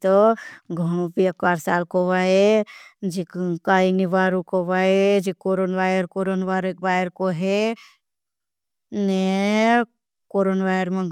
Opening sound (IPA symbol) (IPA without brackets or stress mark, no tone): t̪